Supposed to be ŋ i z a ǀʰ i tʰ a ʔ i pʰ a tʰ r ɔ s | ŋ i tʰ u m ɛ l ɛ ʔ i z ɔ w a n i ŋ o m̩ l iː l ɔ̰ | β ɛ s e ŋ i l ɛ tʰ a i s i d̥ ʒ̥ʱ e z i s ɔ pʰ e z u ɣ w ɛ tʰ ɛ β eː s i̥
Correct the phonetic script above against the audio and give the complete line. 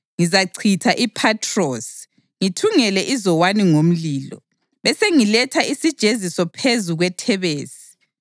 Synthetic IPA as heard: ŋ i z a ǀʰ i tʰ a ʔ i pʰ a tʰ r ɔ s | ŋ i tʰ u ŋ ɛ l ɛ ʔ i z ɔ w a n i ŋ o m̩ l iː l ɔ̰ | β ɛ s e ŋ i l ɛ tʰ a i s i d̥ ʒ̥ʱ e z i s ɔ pʰ e z u ɣ w ɛ tʰ ɛ β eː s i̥